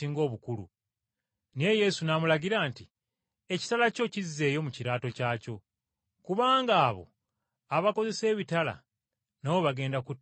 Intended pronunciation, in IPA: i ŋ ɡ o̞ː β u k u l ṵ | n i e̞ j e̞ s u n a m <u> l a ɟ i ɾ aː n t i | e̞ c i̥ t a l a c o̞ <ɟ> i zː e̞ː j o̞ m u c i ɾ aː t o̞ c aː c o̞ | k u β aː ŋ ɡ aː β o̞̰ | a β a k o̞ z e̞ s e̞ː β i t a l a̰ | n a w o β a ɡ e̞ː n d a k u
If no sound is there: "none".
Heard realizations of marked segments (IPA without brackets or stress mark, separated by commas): u, c